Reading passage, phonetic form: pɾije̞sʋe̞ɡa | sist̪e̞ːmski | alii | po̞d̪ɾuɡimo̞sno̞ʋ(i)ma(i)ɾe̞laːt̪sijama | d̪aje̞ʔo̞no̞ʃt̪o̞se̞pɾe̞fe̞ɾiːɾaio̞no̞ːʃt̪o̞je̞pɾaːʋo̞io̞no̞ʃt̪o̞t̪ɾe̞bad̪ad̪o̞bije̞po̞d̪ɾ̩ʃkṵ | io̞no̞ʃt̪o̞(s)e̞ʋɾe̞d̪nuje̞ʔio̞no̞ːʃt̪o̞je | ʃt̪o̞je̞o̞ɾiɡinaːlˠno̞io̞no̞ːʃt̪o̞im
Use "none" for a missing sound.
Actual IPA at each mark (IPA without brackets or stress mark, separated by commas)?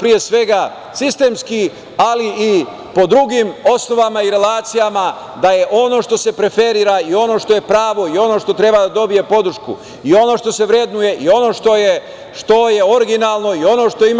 a, i, s